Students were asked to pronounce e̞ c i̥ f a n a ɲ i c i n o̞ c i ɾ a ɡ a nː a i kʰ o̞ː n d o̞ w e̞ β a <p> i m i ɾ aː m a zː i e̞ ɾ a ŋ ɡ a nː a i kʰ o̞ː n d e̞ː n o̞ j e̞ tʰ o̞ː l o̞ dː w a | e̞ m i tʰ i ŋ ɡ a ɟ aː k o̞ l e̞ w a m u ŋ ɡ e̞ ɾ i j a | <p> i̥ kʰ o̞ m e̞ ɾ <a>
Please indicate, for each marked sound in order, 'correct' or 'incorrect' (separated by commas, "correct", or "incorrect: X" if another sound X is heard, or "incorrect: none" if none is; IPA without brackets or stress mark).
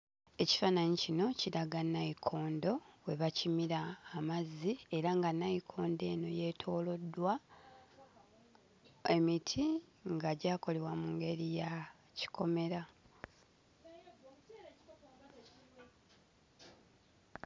incorrect: c, incorrect: c, correct